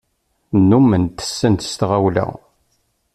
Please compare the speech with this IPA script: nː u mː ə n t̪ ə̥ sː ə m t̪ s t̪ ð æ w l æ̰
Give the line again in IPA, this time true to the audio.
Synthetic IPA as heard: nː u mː ə n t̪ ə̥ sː ə n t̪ s t̪ ʁ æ w l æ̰